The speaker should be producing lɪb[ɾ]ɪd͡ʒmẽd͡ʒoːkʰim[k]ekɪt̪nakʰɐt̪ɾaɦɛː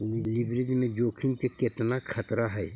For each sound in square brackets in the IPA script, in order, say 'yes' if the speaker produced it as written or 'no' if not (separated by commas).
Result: yes, yes